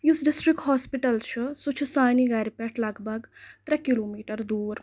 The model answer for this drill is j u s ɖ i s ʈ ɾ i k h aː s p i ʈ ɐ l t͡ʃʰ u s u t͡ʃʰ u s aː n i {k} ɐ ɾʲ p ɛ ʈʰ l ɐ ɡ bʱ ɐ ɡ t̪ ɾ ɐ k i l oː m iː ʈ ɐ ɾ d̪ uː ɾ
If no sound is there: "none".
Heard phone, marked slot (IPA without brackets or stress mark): ɡ